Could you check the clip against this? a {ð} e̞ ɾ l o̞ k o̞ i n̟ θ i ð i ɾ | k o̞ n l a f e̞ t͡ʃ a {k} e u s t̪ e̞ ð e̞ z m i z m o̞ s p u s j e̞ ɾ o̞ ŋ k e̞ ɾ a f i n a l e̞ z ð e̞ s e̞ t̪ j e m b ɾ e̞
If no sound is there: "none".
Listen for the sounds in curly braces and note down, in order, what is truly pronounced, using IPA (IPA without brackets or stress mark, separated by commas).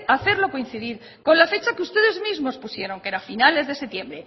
θ, k